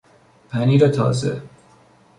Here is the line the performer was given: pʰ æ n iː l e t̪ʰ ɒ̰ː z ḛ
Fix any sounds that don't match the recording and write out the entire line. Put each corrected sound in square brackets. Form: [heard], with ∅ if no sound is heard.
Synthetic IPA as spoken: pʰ æ n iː [ɾ] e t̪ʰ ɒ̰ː z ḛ